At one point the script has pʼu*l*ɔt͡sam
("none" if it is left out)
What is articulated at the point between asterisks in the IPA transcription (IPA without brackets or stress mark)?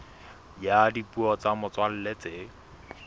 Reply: none